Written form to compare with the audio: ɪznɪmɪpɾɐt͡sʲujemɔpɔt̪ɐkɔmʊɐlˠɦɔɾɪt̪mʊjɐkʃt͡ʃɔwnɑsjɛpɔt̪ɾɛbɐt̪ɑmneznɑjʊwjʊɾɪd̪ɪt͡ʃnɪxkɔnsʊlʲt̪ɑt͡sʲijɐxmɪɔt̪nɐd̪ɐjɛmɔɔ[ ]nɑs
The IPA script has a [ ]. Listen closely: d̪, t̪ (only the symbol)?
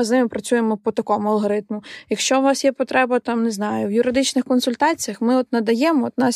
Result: t̪